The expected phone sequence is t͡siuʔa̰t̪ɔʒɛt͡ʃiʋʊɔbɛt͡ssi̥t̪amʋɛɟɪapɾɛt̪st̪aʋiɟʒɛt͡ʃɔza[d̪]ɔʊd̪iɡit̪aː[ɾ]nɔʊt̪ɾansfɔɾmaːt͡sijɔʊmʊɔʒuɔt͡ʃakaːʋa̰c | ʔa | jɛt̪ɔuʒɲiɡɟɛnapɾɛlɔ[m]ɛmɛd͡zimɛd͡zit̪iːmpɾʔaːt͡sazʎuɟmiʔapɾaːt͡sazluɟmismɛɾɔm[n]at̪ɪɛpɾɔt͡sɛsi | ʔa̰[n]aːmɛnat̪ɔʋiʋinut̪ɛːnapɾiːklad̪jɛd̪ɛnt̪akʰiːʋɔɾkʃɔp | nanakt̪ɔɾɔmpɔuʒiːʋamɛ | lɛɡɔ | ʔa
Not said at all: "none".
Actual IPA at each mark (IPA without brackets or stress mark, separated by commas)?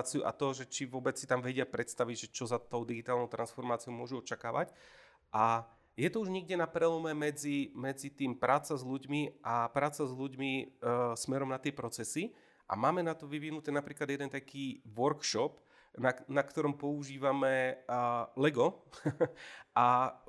t̪, l, m, n, m